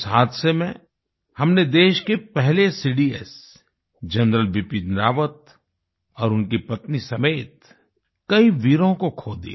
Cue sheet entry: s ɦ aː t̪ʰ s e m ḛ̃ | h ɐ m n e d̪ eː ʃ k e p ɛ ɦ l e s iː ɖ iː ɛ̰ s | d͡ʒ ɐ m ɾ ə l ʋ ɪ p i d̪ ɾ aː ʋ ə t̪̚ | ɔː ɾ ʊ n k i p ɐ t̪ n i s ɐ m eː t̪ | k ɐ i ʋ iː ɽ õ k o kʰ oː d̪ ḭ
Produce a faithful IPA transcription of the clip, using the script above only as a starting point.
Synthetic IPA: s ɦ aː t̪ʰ s e m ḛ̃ | h ɐ m n e d̪ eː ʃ k e p ɛ ɦ l e s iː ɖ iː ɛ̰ s | d͡ʒ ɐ n ɾ ə l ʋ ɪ p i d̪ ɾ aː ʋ ə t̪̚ | ɔː ɾ ʊ n k i p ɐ t̪ n i s ɐ m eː t̪ | k ɐ i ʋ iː ɾ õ k o kʰ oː d̪ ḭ